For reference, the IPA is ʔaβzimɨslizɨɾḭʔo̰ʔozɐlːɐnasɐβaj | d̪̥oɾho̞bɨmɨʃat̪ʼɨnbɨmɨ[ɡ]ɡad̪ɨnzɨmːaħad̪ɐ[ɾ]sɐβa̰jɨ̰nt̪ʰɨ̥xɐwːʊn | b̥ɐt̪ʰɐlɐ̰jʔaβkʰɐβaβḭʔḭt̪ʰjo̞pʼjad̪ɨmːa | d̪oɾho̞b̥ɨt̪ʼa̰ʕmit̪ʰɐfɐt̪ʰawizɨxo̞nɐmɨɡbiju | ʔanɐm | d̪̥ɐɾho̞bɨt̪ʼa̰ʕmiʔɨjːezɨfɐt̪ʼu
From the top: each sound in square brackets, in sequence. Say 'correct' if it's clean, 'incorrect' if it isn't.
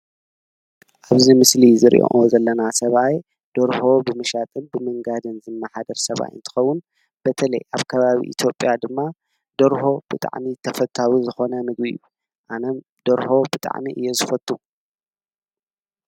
incorrect, correct

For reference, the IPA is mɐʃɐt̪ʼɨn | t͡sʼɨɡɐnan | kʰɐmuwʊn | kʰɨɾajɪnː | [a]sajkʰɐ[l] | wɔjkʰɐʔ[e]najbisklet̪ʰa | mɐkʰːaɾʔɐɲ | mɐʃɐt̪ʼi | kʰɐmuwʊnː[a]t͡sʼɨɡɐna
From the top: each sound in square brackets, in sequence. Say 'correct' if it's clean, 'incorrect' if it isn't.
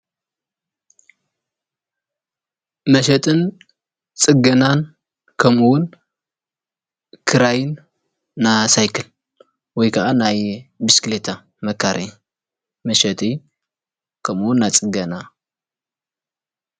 correct, correct, incorrect, correct

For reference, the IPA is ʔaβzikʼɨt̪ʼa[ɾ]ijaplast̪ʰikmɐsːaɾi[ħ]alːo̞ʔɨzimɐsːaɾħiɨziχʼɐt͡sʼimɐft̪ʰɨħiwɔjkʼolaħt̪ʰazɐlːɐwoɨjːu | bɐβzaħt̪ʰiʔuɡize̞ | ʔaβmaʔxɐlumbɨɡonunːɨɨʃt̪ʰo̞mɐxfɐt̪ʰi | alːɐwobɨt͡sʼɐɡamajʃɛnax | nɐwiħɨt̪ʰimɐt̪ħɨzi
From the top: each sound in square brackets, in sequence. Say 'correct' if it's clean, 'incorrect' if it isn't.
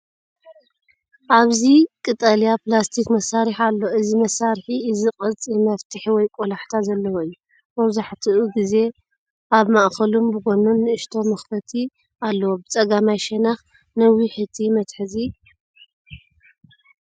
incorrect, correct

